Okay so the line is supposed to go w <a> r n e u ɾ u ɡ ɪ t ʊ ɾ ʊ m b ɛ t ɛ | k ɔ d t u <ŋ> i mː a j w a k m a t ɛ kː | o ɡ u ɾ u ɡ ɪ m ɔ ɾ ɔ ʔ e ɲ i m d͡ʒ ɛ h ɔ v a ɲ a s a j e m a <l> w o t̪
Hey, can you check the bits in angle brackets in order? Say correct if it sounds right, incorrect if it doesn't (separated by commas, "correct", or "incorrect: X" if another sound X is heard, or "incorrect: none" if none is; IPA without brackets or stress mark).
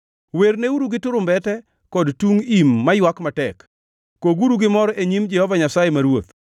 incorrect: e, correct, incorrect: ɾ